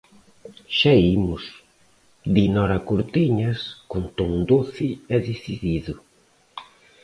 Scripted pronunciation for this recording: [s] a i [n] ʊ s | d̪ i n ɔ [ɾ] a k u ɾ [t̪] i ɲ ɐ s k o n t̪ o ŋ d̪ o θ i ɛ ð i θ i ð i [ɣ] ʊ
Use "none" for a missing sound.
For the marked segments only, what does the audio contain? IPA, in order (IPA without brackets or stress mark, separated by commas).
ʃ, m, ɾ, t̪, ð